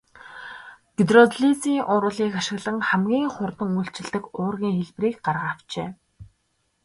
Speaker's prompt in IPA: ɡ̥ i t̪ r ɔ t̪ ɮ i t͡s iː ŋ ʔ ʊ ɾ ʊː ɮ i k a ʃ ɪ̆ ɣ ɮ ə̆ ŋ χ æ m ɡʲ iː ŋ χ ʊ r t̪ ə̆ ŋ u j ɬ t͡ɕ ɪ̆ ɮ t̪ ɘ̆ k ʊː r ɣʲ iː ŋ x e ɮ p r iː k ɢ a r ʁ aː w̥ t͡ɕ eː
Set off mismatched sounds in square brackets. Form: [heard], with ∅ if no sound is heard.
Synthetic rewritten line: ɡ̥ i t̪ r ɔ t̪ ɮ i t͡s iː ŋ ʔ ʊ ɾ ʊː ɮ [iː] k a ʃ ɪ̆ ɣ ɮ ə̆ ŋ χ æ m ɡʲ iː ŋ χ ʊ r t̪ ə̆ ŋ u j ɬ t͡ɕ ɪ̆ ɮ t̪ ɘ̆ k ʊː r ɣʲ iː ŋ x e ɮ p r iː k ɢ a r ʁ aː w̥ t͡ɕ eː